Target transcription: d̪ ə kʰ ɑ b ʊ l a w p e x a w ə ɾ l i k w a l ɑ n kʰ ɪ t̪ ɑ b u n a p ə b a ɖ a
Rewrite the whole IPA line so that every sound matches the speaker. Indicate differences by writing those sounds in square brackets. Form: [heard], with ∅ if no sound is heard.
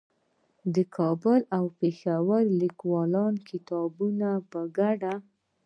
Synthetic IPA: d̪ ə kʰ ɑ b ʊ l a w p e x a w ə ɾ l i k w [ɑ] l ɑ n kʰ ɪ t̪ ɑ b u n a p ə [ɡ] a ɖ a